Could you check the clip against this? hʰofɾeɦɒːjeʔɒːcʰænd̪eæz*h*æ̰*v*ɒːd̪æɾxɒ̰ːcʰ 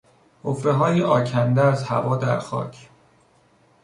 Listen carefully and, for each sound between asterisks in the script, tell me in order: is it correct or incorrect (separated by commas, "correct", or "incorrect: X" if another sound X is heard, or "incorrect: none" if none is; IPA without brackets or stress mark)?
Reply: correct, correct